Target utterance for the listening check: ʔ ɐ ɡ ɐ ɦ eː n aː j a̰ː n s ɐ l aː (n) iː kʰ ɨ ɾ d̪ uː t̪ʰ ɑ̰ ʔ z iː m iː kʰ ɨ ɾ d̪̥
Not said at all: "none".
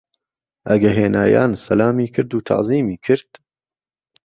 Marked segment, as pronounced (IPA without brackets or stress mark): m